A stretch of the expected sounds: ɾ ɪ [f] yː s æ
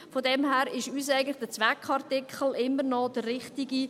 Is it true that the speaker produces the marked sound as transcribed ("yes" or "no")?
no